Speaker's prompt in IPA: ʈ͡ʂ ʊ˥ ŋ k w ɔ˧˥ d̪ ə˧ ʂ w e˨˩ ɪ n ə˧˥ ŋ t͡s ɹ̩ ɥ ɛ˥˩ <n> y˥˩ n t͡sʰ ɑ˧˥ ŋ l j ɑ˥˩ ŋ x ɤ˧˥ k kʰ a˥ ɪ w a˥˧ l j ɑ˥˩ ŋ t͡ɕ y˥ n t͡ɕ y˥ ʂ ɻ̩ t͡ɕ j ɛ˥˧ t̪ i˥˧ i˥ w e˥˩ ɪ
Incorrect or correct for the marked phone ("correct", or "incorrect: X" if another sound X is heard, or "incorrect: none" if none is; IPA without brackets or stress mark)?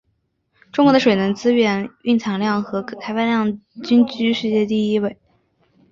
correct